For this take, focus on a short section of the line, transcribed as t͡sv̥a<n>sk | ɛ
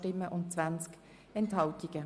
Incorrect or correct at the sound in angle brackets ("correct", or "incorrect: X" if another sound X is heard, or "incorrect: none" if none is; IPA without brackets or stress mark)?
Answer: correct